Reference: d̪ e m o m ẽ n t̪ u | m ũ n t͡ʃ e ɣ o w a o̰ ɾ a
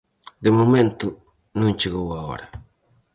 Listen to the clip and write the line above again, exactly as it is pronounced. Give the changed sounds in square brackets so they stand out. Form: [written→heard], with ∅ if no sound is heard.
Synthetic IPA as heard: d̪ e m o m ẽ n t̪ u | [m→n] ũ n t͡ʃ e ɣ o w a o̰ ɾ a